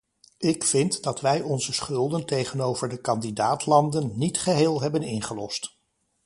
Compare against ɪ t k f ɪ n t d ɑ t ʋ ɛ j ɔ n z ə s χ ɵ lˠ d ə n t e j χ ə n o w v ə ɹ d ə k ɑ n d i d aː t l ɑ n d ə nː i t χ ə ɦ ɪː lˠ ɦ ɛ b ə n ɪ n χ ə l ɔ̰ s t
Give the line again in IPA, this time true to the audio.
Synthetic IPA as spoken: ɪ k f ɪ n t d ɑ t ʋ ɛ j ɔ n z ə s χ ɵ lˠ d ə n t e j χ ə n o w v ə ɹ d ə k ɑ n d i d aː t l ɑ n d ə nː i t χ ə ɦ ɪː lˠ ɦ ɛ b ə n ɪ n χ ə l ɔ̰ s t